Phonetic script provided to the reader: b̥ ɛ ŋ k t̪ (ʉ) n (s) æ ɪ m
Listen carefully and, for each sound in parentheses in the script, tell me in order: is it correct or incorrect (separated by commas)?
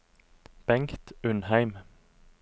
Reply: correct, incorrect